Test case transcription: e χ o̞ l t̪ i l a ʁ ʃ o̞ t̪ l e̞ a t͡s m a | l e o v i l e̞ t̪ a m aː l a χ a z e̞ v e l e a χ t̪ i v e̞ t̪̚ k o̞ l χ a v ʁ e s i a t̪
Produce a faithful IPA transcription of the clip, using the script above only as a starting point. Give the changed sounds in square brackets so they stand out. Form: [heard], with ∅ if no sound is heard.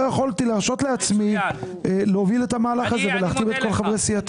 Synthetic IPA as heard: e χ o̞ l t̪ i l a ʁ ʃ o̞ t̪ l e̞ a t͡s m [i] | l e o v i l e̞ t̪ a m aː l a χ a z e̞ v e l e a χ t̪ i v e̞ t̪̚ k o̞ l χ a v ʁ e s i a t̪